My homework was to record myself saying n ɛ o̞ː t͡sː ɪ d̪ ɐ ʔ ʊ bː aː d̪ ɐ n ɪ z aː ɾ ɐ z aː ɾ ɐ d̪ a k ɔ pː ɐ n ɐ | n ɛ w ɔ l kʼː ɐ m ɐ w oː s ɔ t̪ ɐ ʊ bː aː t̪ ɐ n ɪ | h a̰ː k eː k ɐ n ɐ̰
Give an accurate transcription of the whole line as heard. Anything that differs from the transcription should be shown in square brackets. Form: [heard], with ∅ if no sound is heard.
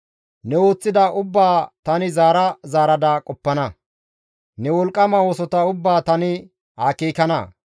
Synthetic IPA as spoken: n ɛ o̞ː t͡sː ɪ d̪ ɐ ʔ ʊ bː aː [t̪] ɐ n ɪ z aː ɾ ɐ z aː ɾ ɐ d̪ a [kʼ] ɔ pː ɐ n ɐ | n ɛ w ɔ l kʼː ɐ m ɐ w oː s ɔ t̪ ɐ ʊ bː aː t̪ ɐ n ɪ | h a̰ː k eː k ɐ n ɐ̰